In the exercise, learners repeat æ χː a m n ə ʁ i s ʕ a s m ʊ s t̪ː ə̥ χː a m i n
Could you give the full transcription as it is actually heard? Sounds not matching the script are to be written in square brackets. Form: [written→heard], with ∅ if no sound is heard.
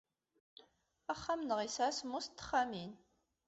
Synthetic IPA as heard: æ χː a m n ə ʁ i s ʕ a s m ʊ s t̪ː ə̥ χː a m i n

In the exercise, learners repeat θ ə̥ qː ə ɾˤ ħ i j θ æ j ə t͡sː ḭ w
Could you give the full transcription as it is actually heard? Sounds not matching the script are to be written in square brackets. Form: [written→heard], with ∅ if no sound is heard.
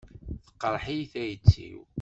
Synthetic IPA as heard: θ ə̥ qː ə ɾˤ ħ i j θ æ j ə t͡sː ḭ w

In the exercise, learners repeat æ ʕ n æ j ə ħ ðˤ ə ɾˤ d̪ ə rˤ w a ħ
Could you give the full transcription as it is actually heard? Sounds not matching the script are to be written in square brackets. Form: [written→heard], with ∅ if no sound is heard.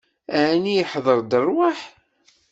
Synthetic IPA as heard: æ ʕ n [æ→i] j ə ħ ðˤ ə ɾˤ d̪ ə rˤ w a ħ

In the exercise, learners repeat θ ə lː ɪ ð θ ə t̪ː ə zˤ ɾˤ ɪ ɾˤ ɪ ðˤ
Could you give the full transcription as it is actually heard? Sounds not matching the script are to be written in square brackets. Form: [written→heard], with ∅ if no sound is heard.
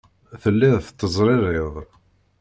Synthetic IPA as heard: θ ə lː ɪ ð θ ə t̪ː ə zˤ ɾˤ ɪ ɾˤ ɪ ðˤ

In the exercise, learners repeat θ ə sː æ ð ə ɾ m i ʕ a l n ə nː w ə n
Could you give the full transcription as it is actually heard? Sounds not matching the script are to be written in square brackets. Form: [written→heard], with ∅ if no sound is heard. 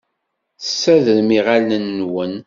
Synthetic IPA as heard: θ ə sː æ ð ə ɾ m i [ʕ→ʁ] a l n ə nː w ə n

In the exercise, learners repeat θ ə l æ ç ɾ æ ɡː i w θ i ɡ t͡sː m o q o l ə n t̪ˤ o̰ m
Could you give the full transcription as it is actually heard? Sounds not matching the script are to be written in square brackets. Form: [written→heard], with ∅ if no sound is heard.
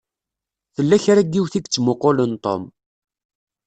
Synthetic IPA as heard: θ ə [l→lː] æ ç ɾ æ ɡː i w θ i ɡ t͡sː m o q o l ə n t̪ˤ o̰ m

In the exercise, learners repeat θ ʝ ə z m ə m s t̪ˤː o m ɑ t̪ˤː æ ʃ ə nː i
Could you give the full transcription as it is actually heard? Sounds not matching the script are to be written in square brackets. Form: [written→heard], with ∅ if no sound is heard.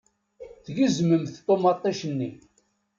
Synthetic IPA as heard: θ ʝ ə z m ə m [s→θ] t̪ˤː o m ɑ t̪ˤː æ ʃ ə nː i

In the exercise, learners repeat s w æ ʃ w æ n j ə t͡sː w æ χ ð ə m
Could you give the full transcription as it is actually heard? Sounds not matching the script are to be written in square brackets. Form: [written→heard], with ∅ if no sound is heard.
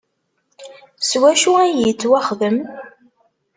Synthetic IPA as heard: s w æ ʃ [w→u] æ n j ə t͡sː w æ χ ð ə m

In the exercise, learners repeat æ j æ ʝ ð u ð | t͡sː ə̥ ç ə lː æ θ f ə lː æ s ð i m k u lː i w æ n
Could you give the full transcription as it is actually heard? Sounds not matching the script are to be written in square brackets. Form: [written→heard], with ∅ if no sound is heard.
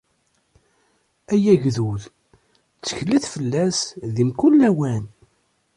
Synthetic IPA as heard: æ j æ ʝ ð u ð | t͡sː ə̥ ç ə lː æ θ f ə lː æ s ð i m k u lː [i→æ] w æ n

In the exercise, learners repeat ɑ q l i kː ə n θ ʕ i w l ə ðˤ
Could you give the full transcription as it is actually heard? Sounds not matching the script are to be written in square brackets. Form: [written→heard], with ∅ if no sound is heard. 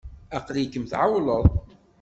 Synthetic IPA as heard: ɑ q l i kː ə [n→m] θ ʕ [i→a] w l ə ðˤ

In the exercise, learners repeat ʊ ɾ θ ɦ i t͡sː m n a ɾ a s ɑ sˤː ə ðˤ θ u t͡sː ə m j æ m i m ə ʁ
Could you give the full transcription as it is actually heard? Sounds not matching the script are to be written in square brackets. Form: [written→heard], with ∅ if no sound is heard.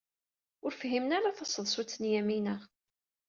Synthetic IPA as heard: ʊ ɾ [θ→f] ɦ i [t͡sː→∅] m n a ɾ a [s→θ] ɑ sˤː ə ðˤ [θ→s] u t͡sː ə [m→n] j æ m i [m→n] ə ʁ

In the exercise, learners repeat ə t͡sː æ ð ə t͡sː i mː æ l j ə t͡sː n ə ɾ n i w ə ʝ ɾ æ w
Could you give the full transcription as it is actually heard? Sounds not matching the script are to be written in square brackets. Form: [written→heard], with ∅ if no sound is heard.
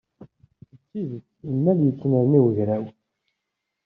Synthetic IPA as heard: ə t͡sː [æ→i] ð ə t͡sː i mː æ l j ə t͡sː n ə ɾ n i w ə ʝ ɾ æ w

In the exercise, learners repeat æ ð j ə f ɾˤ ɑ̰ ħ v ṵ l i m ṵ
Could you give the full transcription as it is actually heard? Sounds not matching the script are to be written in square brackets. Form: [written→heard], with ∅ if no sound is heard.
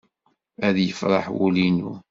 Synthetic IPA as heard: æ ð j ə f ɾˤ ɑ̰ ħ [v→w] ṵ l i [m→n] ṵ

